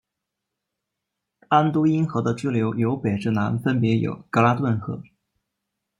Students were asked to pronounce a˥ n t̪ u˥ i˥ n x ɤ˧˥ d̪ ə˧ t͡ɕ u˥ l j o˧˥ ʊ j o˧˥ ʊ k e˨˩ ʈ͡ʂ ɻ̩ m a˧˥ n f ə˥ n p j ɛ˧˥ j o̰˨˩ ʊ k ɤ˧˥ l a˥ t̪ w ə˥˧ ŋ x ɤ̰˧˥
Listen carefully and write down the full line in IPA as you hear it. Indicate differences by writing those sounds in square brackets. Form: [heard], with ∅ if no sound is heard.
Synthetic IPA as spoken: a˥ n t̪ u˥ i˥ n x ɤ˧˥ d̪ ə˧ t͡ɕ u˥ l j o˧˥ ʊ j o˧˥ ʊ [p] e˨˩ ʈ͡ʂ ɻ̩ [n] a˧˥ n f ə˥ n p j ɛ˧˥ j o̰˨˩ ʊ k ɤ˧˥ l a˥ t̪ w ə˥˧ [n] x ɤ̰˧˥